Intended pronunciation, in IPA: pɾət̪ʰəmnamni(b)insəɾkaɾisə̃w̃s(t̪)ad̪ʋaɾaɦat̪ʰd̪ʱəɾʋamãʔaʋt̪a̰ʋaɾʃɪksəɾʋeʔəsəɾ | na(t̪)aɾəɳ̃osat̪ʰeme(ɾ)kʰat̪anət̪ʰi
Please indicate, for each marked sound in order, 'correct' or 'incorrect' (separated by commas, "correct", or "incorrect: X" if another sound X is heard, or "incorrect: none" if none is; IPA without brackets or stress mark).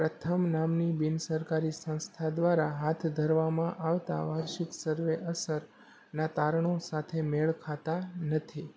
correct, incorrect: t̪ʰ, correct, incorrect: ɭ